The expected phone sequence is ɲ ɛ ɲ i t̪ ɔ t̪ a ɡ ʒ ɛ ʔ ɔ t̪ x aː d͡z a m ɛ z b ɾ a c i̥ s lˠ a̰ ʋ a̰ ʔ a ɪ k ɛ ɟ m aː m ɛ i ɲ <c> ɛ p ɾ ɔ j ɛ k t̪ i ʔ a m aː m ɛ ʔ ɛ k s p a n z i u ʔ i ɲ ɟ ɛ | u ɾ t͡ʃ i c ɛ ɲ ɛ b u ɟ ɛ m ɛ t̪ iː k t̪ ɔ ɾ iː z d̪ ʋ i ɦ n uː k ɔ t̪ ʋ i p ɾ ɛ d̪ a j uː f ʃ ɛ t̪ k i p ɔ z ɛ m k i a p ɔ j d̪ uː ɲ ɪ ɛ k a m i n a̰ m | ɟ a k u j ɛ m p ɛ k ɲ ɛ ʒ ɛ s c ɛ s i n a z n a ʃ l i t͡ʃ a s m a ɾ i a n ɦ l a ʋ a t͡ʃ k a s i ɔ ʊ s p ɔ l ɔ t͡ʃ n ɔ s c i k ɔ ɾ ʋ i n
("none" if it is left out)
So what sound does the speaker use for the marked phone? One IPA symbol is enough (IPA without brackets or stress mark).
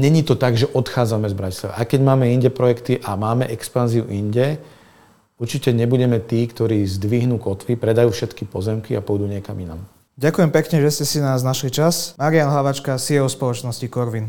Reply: ɟ